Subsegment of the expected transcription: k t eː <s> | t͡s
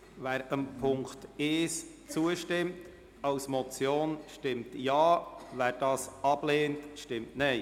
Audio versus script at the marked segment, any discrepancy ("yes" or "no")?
no